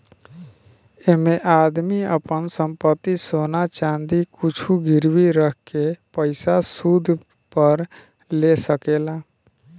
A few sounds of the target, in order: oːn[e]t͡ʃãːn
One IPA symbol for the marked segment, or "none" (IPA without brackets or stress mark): a